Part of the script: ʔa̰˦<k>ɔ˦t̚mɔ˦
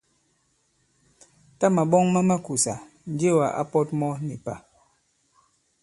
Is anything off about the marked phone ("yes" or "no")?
yes